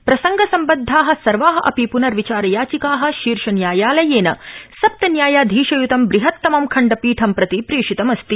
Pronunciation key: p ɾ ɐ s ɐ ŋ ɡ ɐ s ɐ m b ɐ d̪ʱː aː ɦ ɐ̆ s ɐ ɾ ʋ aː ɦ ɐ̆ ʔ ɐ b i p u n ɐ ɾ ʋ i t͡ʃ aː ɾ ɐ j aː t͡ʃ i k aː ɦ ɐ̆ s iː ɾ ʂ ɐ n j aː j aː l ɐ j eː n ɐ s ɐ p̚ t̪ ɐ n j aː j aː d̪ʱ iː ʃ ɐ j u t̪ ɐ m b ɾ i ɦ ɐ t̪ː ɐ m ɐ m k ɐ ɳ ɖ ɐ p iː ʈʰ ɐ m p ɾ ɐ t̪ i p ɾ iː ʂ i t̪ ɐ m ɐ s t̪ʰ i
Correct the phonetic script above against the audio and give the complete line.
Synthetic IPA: p ɾ ɐ s ɐ ŋ ɡ ɐ s ɐ m b ɐ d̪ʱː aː ɦ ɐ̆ s ɐ ɾ ʋ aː ɦ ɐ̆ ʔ ɐ p i p u n ɐ ɾ ʋ i t͡ʃ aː ɾ ɐ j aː t͡ʃ i k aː ɦ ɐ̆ ʃ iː ɾ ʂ ɐ n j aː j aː l ɐ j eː n ɐ s ɐ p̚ t̪ ɐ n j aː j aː d̪ʱ iː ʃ ɐ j u t̪ ɐ m b ɾ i ɦ ɐ t̪ː ɐ m ɐ m kʰ ɐ ɳ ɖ ɐ p iː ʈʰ ɐ m p ɾ ɐ t̪ i p ɾ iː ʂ i t̪ ɐ m ɐ s t̪ i